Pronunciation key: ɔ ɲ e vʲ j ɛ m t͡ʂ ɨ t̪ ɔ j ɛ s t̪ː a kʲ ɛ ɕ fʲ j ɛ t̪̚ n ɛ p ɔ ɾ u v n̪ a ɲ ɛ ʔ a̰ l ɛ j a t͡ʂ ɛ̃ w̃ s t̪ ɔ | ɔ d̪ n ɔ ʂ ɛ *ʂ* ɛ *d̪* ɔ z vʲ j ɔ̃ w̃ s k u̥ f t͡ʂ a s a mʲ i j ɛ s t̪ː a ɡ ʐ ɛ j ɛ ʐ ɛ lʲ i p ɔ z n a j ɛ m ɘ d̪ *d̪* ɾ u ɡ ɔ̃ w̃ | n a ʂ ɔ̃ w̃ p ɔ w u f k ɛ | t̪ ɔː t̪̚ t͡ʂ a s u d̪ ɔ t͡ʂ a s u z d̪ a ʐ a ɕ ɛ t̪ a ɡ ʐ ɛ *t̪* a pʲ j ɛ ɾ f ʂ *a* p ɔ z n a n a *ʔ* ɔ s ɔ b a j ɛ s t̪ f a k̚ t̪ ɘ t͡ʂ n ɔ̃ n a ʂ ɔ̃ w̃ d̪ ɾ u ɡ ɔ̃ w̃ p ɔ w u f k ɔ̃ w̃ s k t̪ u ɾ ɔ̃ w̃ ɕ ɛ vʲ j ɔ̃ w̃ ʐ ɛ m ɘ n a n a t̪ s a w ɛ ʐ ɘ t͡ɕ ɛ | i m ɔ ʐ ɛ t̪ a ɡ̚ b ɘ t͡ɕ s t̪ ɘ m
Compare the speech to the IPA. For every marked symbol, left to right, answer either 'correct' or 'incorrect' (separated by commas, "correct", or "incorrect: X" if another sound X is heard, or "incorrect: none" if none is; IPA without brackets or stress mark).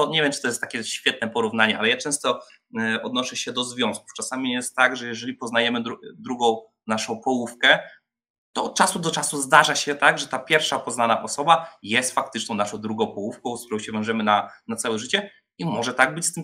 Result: incorrect: ɕ, correct, correct, correct, correct, correct